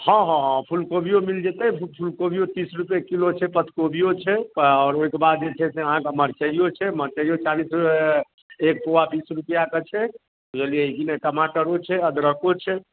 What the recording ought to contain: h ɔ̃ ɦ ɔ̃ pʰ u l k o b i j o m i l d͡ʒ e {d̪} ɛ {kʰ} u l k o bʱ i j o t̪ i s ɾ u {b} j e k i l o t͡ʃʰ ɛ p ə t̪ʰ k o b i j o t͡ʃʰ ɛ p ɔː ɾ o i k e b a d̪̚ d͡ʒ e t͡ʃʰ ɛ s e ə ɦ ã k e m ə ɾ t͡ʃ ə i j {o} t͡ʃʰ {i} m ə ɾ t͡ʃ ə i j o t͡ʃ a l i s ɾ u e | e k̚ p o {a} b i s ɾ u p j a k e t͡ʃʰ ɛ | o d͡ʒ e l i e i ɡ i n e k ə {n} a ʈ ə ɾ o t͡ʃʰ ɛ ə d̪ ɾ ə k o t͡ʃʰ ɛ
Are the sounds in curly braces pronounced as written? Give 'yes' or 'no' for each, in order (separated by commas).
no, no, no, yes, no, yes, no